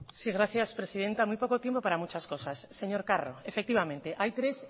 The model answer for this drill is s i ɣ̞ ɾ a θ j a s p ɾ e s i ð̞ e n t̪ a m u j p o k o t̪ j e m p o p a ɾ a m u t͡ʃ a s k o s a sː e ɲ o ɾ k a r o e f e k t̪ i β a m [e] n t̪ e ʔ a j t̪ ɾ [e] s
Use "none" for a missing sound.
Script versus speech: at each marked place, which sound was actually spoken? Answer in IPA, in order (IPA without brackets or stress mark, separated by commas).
ẽ, e